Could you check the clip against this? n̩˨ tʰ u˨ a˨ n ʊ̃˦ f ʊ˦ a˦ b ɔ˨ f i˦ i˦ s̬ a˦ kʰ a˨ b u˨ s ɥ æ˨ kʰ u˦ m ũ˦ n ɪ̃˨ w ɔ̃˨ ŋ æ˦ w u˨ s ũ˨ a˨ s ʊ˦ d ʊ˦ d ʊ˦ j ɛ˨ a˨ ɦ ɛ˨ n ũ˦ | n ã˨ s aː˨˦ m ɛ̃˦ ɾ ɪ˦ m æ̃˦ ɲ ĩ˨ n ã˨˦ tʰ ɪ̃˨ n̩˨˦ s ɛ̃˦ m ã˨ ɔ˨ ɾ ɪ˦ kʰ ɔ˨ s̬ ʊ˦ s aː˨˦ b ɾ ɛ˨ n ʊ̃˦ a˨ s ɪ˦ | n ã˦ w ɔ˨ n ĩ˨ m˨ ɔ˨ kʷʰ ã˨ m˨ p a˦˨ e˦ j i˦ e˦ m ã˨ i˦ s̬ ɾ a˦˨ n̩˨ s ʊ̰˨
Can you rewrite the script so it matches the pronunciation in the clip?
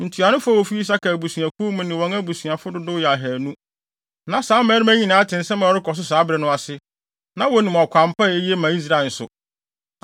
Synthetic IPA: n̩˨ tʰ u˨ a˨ n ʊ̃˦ f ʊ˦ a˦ w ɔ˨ f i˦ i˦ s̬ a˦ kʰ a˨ b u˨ s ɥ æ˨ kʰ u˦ m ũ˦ n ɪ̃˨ w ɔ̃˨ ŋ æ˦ b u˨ s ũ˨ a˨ f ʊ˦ d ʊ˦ d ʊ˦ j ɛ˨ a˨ ɦ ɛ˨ n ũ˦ | n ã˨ s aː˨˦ m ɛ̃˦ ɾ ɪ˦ m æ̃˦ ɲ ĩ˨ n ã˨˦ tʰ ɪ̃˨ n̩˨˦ s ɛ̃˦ m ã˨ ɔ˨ ɾ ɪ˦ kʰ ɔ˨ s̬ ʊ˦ s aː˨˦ b ɾ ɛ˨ n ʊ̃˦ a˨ s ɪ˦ | n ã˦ w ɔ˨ n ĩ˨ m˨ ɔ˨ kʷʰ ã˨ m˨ p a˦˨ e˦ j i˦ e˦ m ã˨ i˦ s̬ ɾ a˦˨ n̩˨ s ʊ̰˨